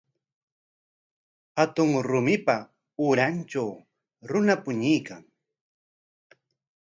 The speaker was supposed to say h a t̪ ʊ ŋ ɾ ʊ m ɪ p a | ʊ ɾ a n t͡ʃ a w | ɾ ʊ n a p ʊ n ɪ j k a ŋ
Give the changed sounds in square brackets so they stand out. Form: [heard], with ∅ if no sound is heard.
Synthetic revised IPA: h a t̪ ʊ ŋ ɾ ʊ m ɪ p a | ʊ ɾ a n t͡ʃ a w | ɾ ʊ n a p ʊ [ɲ] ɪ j k a ŋ